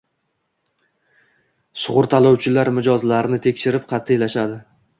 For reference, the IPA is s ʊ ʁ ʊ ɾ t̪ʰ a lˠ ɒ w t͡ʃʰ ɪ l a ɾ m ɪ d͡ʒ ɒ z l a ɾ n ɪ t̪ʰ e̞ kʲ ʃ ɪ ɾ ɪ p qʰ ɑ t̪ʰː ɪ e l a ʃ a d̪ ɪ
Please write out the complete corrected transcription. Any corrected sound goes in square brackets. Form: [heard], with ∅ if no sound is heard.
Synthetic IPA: s ʊ ʁ ʊ ɾ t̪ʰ a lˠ ɒ w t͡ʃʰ ɪ l a ɾ m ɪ d͡ʒ ɒ z l a ɾ n ɪ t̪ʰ e̞ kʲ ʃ ɪ ɾ ɪ p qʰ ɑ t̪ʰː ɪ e l a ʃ a d̪ ɪ